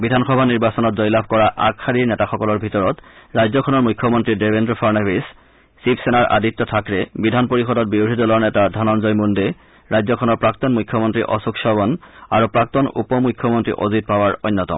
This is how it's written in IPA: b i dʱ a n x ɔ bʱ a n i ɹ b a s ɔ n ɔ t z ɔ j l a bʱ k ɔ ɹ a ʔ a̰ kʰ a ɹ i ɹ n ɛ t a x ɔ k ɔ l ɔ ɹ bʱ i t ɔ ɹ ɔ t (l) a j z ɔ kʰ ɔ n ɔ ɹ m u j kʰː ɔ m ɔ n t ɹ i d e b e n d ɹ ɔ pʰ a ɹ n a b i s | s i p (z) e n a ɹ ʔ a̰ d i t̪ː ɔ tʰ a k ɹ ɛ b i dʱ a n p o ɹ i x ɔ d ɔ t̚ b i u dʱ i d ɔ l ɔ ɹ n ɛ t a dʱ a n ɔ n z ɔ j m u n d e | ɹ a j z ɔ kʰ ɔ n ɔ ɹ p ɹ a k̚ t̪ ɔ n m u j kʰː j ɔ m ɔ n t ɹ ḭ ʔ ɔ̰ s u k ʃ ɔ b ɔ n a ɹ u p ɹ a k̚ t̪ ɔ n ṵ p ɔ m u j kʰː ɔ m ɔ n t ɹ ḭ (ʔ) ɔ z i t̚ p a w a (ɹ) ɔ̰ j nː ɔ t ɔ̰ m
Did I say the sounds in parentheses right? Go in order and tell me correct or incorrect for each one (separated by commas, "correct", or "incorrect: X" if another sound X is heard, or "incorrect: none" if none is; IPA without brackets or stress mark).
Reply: incorrect: ɹ, incorrect: s, correct, correct